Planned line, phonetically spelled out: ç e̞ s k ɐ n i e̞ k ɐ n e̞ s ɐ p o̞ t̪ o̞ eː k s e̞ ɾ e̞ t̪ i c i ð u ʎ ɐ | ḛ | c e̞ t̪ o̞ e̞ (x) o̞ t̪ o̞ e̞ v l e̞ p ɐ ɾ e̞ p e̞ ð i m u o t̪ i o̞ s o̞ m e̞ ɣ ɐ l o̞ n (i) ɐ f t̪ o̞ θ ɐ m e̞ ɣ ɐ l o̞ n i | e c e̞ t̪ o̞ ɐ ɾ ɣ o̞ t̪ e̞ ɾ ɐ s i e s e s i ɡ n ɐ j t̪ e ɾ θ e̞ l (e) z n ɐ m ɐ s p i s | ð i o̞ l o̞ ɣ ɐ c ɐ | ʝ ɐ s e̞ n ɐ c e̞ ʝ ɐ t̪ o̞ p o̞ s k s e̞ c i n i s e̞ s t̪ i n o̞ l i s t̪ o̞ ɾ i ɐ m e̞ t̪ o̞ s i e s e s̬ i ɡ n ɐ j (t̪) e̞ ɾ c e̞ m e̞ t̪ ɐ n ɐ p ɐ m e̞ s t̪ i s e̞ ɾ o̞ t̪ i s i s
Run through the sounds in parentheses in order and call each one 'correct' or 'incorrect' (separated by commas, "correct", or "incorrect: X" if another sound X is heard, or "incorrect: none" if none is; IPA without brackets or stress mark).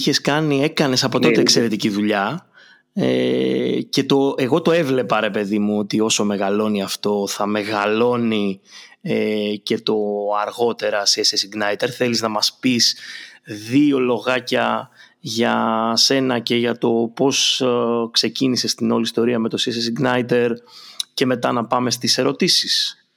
incorrect: ɣ, correct, incorrect: i, correct